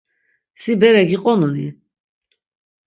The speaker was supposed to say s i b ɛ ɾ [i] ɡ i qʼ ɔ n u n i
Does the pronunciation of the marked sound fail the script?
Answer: yes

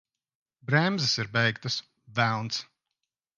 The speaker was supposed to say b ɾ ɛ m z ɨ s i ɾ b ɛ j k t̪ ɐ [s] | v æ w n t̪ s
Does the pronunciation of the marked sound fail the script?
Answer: no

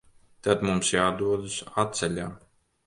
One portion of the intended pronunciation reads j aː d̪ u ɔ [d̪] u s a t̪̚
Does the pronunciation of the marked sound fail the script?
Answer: no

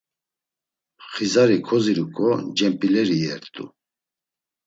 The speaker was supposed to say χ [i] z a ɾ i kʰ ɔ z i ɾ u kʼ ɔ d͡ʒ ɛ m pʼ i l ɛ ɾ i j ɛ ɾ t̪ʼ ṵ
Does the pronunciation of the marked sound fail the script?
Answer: no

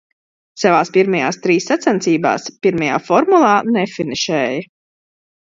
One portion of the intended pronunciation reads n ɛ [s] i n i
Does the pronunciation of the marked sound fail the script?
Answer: yes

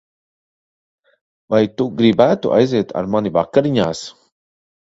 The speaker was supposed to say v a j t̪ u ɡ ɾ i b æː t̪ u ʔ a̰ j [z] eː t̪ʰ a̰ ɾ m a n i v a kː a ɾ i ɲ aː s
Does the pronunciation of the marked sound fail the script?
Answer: no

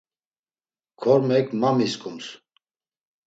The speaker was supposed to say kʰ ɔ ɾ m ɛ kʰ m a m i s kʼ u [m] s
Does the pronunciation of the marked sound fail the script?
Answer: no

